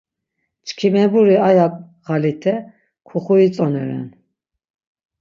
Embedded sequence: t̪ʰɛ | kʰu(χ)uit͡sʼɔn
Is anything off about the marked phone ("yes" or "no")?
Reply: no